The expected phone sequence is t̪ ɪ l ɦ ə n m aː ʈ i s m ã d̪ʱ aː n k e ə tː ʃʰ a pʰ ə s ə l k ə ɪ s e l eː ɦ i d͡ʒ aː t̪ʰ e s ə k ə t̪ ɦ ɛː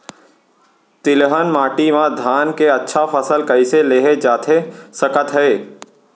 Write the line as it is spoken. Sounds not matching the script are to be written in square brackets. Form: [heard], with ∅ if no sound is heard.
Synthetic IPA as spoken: t̪ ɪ l ɦ ə n m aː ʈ i [∅] m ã d̪ʱ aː n k e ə tː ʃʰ a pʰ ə s ə l k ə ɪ s e l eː ɦ [e] d͡ʒ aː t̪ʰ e s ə k ə t̪ ɦ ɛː